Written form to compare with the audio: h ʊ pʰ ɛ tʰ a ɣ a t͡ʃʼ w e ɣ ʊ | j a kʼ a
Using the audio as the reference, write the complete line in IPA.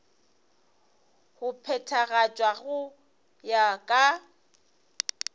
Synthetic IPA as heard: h ʊ pʰ ɛ tʰ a ɣ a t͡ʃʼ w a ɣ ʊ | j a kʼ a